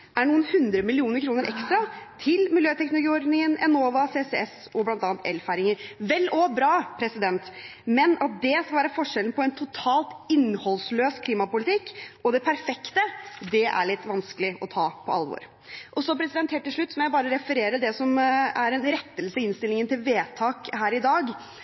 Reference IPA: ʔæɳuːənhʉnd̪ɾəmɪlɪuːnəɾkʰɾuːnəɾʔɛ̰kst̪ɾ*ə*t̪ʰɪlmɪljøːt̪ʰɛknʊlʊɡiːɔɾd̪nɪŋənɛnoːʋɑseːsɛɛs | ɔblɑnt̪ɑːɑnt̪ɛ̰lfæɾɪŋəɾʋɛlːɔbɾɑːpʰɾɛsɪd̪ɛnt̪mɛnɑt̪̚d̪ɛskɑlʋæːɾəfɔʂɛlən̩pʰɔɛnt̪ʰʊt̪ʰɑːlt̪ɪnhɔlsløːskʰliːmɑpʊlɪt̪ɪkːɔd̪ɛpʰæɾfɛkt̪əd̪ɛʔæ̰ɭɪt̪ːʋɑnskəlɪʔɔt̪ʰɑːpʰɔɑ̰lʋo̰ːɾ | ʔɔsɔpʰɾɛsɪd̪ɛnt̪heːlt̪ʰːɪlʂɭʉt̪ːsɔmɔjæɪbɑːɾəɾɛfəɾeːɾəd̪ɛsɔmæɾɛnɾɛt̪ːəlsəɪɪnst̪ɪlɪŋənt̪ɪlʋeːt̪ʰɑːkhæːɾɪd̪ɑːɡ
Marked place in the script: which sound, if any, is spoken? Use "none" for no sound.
ɑ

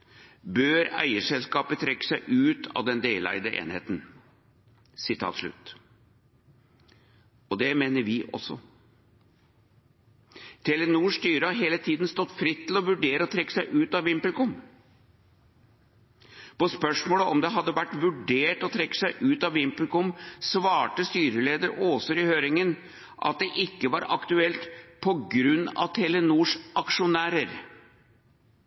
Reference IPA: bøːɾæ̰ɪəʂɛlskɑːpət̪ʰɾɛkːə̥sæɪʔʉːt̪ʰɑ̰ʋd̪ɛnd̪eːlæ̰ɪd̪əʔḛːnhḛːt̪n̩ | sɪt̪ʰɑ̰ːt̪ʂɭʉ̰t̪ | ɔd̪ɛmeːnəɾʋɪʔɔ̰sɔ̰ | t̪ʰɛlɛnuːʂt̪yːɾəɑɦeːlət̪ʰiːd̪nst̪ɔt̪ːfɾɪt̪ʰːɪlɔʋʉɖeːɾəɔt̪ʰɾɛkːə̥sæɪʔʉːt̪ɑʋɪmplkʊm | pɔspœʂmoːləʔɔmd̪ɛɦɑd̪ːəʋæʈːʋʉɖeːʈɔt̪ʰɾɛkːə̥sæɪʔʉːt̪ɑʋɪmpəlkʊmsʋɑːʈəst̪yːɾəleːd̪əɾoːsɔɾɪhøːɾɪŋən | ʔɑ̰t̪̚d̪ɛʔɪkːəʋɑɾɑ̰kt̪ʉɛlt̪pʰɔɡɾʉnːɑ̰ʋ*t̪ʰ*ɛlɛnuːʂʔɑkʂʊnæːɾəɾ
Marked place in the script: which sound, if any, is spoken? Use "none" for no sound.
t̪ʰ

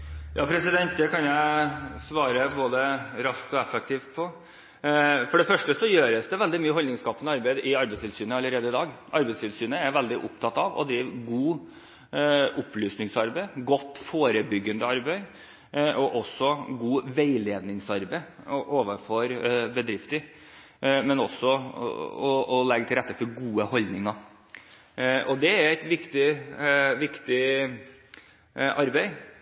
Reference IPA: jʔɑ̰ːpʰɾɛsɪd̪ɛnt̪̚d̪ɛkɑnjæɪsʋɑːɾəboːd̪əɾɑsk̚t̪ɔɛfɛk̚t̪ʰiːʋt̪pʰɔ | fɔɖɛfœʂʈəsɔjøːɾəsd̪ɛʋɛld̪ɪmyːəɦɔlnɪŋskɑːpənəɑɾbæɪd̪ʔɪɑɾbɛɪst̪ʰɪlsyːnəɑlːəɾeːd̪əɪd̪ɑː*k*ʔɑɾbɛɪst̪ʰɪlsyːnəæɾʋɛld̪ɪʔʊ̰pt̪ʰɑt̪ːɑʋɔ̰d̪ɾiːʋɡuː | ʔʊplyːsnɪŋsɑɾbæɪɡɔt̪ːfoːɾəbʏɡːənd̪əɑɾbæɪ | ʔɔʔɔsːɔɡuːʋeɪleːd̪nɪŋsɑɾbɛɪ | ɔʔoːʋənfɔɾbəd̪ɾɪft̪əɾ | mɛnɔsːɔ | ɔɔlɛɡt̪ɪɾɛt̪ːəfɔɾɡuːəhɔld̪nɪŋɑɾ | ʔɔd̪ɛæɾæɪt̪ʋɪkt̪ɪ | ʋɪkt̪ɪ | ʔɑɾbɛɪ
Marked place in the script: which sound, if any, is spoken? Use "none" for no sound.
ɡ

